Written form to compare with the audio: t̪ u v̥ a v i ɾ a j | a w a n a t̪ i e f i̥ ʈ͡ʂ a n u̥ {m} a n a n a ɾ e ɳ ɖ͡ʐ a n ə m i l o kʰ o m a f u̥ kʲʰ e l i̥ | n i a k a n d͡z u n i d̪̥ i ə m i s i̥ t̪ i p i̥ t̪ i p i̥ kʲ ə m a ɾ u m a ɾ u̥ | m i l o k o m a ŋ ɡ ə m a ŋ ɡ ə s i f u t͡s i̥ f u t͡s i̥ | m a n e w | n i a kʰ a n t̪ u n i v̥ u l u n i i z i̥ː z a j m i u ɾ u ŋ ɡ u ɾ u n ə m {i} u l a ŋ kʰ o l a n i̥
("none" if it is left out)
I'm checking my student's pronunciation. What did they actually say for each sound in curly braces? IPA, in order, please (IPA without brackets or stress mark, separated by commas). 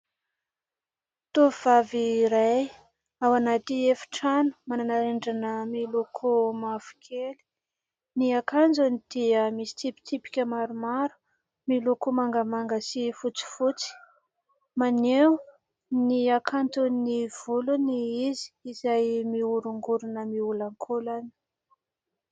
m, i